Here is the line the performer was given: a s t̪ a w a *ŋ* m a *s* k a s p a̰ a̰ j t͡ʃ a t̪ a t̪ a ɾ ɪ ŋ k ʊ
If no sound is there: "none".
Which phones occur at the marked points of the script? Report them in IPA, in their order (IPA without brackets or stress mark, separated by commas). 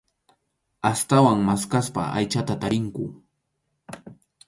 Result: ŋ, s